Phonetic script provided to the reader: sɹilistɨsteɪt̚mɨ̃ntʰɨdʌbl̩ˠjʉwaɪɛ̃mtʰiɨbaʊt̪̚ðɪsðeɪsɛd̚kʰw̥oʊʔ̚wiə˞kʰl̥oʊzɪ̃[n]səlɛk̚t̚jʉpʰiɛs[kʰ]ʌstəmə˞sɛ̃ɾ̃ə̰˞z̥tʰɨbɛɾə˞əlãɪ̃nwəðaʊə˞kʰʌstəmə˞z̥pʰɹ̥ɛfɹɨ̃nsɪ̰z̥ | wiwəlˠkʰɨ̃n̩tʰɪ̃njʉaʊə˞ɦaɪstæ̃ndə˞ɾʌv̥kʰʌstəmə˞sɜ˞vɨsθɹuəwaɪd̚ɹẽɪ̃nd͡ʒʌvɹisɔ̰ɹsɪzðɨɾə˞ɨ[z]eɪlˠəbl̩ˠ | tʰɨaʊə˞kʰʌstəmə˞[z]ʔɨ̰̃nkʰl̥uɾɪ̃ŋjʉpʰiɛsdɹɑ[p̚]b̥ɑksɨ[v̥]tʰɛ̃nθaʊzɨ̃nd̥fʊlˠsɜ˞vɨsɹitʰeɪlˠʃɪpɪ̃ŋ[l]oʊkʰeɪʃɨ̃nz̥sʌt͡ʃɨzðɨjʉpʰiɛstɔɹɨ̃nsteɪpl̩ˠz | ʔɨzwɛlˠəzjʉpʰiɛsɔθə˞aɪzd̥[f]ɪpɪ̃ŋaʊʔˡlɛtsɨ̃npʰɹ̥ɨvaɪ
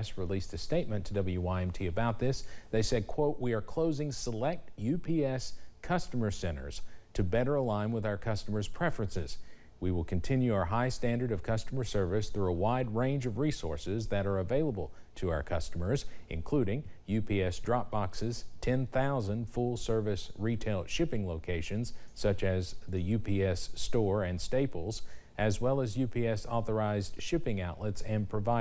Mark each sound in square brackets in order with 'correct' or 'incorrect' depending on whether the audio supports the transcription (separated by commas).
incorrect, correct, incorrect, correct, correct, incorrect, correct, incorrect